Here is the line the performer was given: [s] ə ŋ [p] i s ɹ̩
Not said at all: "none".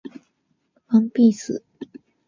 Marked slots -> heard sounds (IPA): f, p

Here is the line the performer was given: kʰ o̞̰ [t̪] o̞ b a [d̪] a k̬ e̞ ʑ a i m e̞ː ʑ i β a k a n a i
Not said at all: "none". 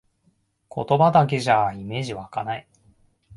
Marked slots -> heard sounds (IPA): t̪, d̪

